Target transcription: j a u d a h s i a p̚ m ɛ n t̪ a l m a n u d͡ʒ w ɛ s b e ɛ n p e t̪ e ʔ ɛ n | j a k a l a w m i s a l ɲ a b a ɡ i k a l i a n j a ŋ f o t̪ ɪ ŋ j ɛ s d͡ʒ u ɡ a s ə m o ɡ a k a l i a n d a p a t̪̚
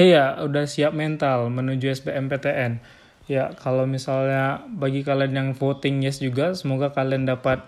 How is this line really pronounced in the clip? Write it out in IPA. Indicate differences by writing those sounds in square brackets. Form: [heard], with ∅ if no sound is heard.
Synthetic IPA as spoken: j a u d a h s i a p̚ m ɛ n t̪ a l m [ə] n u d͡ʒ [u] ɛ s b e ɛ [m] p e t̪ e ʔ ɛ n | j a k a l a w m i s a l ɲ a b a ɡ i k a l i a n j a ŋ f o t̪ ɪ ŋ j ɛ s d͡ʒ u ɡ a s ə m o ɡ a k a l i a n d a p a t̪̚